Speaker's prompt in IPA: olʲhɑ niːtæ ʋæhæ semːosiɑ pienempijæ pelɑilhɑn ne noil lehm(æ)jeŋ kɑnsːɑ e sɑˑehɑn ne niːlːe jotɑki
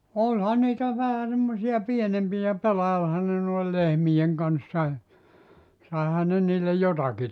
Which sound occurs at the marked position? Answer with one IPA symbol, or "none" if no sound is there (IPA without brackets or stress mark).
i